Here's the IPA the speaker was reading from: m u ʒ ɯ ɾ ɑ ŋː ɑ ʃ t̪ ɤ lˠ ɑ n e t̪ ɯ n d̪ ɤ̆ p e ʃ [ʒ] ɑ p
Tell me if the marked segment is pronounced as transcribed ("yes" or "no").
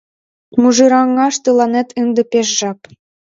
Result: yes